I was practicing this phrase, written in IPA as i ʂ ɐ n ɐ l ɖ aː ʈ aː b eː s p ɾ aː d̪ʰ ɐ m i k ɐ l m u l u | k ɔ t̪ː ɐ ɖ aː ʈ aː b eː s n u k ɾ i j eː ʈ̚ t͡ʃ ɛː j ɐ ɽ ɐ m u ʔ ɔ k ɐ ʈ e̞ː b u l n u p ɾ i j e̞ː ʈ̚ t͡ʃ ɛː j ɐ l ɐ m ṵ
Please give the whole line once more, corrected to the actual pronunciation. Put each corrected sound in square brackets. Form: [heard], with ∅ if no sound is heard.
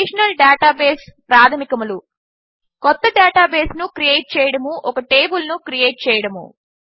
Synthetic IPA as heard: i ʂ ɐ n ɐ l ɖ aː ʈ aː b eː s p ɾ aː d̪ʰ ɐ m i k ɐ [∅] m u l u | k ɔ t̪ː ɐ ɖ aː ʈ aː b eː s n u k ɾ i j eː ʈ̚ t͡ʃ ɛː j ɐ ɽ ɐ m u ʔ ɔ k ɐ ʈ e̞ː b u l n u [k] ɾ i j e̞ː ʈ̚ t͡ʃ ɛː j ɐ [ɽ] ɐ m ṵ

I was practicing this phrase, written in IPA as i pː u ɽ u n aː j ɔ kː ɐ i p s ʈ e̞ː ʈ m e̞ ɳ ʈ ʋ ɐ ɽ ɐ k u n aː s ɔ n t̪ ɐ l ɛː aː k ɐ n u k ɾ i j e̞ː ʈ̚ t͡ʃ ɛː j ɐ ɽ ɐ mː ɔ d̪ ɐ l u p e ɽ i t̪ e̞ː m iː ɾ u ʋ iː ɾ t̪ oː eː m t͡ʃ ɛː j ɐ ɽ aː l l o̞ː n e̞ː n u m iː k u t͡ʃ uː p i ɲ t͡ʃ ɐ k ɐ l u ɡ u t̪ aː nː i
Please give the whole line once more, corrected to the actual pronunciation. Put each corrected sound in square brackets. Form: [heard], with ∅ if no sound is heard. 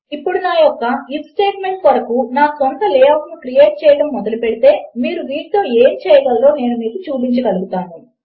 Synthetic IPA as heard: i pː u ɽ u n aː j ɔ kː ɐ i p s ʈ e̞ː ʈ m e̞ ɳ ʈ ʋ ɐ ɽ ɐ k u n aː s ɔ n t̪ ɐ l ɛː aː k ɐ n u k ɾ i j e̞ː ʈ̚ t͡ʃ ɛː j ɐ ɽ ɐ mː ɔ d̪ ɐ l u p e ɽ i t̪ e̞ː m iː ɾ u ʋ iː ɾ t̪ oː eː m t͡ʃ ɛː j ɐ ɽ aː l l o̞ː n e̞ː n u m iː k u t͡ʃ uː p i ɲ t͡ʃ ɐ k ɐ l u ɡ u t̪ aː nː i

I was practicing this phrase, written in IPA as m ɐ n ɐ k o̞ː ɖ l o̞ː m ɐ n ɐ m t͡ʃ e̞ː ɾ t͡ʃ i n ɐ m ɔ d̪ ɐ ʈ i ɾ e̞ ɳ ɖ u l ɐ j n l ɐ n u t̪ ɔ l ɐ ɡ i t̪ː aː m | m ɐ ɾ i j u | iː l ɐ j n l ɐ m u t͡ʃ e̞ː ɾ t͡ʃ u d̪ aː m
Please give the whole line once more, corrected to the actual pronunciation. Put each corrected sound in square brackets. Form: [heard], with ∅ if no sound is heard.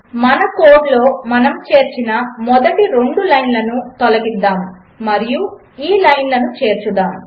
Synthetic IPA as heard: m ɐ n ɐ k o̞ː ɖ l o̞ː m ɐ n ɐ m t͡ʃ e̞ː ɾ t͡ʃ i n ɐ m ɔ d̪ ɐ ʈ i ɾ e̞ ɳ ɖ u l ɐ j n l ɐ n u t̪ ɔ l ɐ ɡ i [d̪ː] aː m | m ɐ ɾ i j u | iː l ɐ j n l ɐ [n] u t͡ʃ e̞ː ɾ t͡ʃ u d̪ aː m

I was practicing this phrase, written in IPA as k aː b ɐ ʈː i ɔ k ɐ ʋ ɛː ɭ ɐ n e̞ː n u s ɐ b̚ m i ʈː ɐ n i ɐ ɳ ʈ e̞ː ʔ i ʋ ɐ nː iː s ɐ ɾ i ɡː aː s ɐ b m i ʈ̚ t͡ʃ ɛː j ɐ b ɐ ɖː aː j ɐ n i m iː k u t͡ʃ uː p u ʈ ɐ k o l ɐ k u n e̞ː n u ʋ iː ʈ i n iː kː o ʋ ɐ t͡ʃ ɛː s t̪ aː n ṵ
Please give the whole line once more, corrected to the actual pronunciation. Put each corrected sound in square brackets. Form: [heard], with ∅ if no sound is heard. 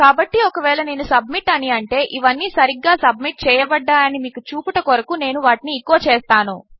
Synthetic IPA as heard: k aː b ɐ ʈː i ɔ k ɐ ʋ ɛː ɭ ɐ n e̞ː n u s ɐ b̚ m i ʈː ɐ n i ɐ ɳ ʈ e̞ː ʔ i ʋ ɐ nː iː s ɐ ɾ i ɡː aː s ɐ b m i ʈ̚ t͡ʃ ɛː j ɐ b ɐ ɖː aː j ɐ n i m iː k u t͡ʃ uː p u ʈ ɐ k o [ɾ] ɐ k u n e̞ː n u ʋ [aː] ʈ i n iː kː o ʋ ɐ t͡ʃ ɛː s t̪ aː n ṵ

